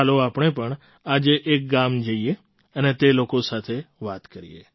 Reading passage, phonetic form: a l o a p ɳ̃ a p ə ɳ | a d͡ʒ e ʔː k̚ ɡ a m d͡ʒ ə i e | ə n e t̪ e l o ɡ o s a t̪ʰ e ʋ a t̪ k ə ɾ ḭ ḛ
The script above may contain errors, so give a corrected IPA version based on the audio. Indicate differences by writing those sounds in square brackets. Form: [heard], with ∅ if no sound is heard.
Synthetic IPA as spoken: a l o a p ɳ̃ [e] p ə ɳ | a d͡ʒ e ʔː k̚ ɡ a m d͡ʒ ə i e | ə n e t̪ e l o [k] o s a t̪ʰ e ʋ a t̪ k ə ɾ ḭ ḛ